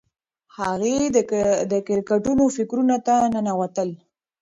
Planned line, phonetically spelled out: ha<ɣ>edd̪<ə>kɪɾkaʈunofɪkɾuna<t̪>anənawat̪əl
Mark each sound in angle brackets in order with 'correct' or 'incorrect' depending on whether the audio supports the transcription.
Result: correct, correct, correct

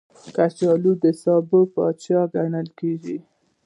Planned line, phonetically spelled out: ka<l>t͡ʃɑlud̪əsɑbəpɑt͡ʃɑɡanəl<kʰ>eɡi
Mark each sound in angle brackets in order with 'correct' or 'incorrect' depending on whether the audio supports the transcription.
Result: incorrect: none, incorrect: k

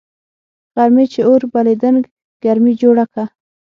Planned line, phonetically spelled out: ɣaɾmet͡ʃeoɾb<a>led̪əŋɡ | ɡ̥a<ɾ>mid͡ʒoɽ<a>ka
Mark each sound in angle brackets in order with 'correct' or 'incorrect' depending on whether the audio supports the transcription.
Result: correct, correct, correct

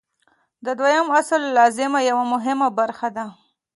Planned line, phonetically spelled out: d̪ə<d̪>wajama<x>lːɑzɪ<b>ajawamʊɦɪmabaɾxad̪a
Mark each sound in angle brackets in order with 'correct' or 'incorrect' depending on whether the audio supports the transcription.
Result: correct, incorrect: s, incorrect: m

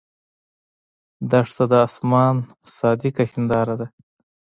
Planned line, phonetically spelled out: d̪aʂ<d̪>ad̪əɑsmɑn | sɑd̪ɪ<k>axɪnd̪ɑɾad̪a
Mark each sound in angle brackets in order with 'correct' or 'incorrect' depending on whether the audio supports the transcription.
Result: incorrect: t̪, correct

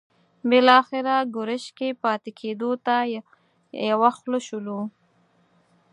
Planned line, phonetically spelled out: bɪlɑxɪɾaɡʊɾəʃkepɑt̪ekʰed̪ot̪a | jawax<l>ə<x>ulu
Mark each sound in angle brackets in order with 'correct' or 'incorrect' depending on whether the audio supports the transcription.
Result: correct, incorrect: ʃ

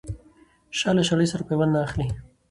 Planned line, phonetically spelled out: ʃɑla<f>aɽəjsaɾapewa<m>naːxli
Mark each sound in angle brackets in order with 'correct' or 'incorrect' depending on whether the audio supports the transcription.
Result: incorrect: ʃ, incorrect: n

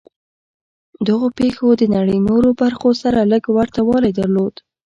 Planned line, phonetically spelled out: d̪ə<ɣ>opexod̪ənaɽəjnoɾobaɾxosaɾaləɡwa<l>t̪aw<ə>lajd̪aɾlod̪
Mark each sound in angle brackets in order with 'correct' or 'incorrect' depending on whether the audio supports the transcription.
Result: correct, incorrect: ɾ, incorrect: ɑ

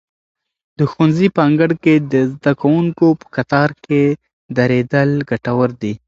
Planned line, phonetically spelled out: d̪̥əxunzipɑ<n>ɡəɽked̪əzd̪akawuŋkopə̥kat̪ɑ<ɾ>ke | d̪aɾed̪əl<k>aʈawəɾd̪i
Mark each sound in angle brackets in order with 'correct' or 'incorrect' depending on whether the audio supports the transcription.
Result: incorrect: ŋ, correct, incorrect: ɡ

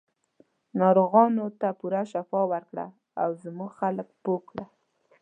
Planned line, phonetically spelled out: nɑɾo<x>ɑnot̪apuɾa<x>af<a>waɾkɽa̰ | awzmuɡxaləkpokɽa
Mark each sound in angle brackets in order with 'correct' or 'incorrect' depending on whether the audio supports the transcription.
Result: incorrect: ɣ, incorrect: ʃ, incorrect: ɑ

